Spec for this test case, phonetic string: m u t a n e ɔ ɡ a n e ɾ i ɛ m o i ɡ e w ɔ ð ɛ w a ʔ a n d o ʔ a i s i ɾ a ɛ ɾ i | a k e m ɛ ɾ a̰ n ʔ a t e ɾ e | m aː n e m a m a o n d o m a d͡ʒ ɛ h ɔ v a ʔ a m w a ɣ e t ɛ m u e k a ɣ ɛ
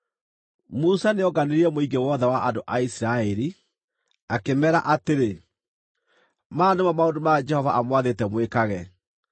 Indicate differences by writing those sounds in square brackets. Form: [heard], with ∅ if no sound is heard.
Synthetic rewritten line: m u [s] a n e ɔ ɡ a n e ɾ i ɛ m o i ɡ e w ɔ ð ɛ w a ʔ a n d o ʔ a i s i ɾ a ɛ ɾ i | a k e m ɛ ɾ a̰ [∅] ʔ a t e ɾ e | m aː n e m a m a o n d o m a d͡ʒ ɛ h ɔ v a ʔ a m w a [ð] e t ɛ m [w] e k a ɣ ɛ